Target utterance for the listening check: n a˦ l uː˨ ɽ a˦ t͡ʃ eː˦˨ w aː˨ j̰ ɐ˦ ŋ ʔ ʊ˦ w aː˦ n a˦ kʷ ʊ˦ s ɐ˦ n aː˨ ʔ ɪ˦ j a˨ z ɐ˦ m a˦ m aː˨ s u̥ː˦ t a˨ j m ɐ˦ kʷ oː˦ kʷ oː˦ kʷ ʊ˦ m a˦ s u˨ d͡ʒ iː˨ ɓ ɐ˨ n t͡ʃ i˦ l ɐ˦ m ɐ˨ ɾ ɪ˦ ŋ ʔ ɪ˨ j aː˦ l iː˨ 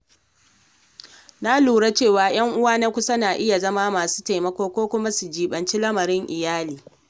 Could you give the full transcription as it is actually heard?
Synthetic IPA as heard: n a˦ l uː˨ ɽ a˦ t͡ʃ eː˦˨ w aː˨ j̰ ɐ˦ ŋ ʔ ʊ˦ w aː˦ n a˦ kʷ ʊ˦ s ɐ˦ n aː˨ ʔ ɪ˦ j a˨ z ɐ˦ m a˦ m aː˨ s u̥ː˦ t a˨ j m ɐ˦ kʷ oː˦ kʷ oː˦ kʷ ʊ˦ m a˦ s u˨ d͡ʒ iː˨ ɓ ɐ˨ n t͡ʃ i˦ l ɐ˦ m ɐ˨ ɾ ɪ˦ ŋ ʔ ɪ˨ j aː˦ l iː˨